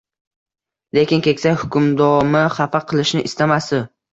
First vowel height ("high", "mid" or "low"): mid